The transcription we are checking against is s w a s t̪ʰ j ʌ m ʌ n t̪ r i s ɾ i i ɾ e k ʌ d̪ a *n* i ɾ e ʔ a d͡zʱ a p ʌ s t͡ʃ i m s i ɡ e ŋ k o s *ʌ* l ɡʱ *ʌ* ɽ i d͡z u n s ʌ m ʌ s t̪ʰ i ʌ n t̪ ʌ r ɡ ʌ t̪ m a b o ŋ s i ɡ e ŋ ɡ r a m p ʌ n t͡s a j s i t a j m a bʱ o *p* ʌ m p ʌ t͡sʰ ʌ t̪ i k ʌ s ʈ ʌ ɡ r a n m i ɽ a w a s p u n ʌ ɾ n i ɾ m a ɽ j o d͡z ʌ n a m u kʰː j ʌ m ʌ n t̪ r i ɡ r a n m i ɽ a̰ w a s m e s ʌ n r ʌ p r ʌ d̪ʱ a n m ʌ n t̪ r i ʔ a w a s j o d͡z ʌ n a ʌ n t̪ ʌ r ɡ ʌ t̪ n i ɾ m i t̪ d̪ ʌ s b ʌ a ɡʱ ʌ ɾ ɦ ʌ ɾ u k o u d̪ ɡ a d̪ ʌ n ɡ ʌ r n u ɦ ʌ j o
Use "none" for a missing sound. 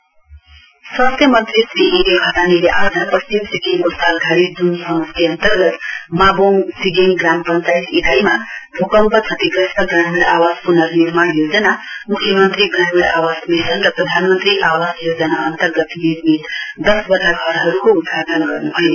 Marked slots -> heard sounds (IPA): n, a, a, k

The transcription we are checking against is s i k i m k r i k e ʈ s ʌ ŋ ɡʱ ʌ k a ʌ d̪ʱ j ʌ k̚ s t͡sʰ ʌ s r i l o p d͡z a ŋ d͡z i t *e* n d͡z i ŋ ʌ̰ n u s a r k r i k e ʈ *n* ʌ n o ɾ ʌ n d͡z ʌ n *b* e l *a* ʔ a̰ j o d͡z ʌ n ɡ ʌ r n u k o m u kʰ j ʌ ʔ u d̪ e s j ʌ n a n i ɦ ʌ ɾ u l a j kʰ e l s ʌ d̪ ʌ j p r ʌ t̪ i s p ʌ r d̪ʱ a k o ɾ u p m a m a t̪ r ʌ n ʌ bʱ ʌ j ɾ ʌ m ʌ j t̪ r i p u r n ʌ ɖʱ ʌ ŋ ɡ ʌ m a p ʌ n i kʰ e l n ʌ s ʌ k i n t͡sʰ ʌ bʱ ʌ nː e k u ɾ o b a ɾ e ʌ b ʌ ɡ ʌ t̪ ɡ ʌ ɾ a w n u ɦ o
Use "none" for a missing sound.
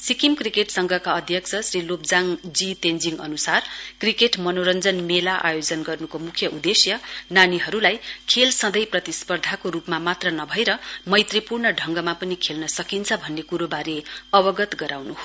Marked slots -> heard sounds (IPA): e, m, m, a

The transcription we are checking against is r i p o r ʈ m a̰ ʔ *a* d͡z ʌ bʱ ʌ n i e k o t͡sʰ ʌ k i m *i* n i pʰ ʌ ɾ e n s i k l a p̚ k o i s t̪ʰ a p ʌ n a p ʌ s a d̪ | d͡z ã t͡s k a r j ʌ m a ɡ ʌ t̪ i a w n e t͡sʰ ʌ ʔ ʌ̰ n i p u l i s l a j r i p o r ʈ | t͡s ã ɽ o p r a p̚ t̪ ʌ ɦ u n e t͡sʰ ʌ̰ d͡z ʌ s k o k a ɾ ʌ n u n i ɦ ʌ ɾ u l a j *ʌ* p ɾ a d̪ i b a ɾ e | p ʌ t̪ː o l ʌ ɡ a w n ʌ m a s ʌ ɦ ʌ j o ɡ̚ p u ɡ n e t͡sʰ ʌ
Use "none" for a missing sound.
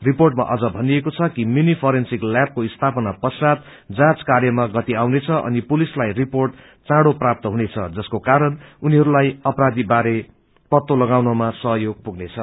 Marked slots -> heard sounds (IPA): ʌ, i, ʌ

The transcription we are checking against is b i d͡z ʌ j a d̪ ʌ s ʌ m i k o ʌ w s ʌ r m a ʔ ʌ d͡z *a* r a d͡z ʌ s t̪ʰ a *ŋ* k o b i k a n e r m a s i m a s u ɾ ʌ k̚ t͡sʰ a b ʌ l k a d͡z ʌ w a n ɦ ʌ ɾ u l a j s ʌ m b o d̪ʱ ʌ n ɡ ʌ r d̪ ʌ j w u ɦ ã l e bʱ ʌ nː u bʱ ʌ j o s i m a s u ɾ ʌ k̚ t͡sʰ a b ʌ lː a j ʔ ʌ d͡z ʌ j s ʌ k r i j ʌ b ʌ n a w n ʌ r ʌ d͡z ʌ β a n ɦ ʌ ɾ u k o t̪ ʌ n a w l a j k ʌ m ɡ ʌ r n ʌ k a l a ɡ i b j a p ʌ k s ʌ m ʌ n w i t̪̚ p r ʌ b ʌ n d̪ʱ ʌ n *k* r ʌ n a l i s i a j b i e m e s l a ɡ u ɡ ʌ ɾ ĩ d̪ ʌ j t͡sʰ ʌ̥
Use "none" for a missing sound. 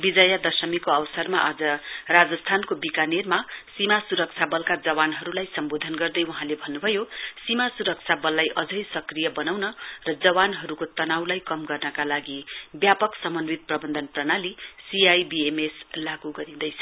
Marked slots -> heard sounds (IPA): ʌ, n, p

